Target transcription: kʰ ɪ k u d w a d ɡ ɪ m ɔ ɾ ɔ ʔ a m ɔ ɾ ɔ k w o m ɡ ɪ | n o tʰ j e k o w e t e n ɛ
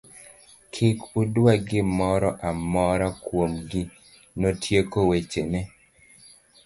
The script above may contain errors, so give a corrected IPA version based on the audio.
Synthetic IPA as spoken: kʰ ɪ k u d w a ɡ ɪ m ɔ ɾ ɔ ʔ a m ɔ ɾ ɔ k w o m ɡ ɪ | n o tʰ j e k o w e t͡ʃ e n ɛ

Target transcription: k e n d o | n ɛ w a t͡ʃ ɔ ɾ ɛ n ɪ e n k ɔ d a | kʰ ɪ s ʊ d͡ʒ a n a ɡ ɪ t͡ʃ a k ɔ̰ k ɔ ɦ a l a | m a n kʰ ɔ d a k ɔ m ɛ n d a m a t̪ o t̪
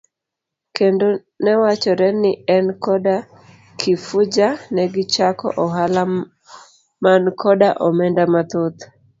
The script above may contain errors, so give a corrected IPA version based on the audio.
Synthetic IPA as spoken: k e n d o | n ɛ w a t͡ʃ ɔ ɾ ɛ n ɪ ɛ n k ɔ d a | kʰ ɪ f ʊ d͡ʒ a n ɛ ɡ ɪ t͡ʃ a k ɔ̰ ʔ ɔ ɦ a l a | m a n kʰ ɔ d a ʔ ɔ m ɛ n d a m a t̪ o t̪

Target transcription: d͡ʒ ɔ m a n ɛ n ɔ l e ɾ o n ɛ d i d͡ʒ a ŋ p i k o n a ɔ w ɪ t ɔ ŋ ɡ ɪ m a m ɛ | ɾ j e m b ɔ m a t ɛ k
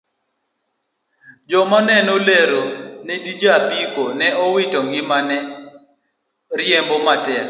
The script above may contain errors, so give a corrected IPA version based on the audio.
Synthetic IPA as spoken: d͡ʒ ɔ m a n ɛ n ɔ l e ɾ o n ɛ d i d͡ʒ a p i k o n ɛ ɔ w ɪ t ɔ ŋ ɡ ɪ m a n ɛ | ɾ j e m b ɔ m a t ɛ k

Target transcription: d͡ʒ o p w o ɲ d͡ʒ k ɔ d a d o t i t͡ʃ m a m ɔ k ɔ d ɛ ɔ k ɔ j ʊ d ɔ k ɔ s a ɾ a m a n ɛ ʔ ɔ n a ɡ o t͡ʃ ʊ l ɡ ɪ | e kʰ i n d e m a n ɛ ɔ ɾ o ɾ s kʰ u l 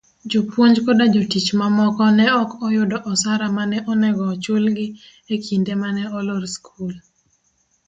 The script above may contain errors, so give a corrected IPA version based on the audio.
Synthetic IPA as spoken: d͡ʒ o p w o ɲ d͡ʒ k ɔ d a d͡ʒ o t i t͡ʃ m a m ɔ k ɔ n ɛ ɔ k ɔ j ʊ d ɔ ʔ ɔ s a ɾ a m a n ɛ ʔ ɔ n ɛ ɡ ɔ t͡ʃ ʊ l ɡ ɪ | e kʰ i n d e m a n ɛ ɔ l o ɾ s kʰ u l

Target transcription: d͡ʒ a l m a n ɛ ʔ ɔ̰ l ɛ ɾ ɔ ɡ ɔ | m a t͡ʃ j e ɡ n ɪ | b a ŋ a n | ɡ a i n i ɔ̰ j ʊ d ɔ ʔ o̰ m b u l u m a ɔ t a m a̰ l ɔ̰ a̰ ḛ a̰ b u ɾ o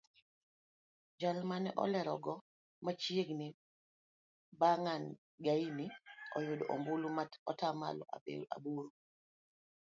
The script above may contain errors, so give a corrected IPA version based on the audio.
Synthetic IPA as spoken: d͡ʒ a l m a n ɛ ʔ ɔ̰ l ɛ ɾ ɔ ɡ ɔ | m a t͡ʃ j e ɡ n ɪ | b a ŋ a n | ɡ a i n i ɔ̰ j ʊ d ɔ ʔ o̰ m b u l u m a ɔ t a m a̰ l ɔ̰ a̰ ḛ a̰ b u ɾ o

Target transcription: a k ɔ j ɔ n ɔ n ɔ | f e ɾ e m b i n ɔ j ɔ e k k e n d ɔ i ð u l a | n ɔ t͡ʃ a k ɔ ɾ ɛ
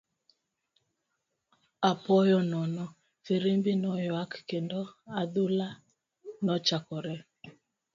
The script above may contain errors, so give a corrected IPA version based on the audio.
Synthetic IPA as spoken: a p ɔ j ɔ n ɔ n ɔ | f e ɾ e m b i n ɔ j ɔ a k k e n d ɔ a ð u l a | n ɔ t͡ʃ a k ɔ ɾ ɛ

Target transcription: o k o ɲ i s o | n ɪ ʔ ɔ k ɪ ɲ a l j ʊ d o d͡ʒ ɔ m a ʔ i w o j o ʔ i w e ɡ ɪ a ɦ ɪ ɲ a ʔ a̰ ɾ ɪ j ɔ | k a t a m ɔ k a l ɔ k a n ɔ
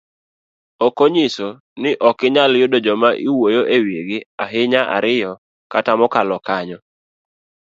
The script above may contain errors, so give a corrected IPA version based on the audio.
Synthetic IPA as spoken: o k o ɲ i s o | n ɪ ʔ ɔ k ɪ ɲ a l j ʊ d o d͡ʒ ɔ m a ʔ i w o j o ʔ e w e ɡ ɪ a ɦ ɪ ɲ a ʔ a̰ ɾ ɪ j ɔ | k a t a m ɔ k a l ɔ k a ɲ ɔ

